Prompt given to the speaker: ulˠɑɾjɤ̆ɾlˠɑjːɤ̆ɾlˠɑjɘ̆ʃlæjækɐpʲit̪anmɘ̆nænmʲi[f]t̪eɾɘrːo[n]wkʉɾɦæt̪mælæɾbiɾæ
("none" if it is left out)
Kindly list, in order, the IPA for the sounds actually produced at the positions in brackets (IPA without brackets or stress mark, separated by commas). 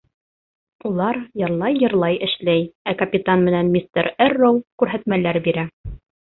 s, none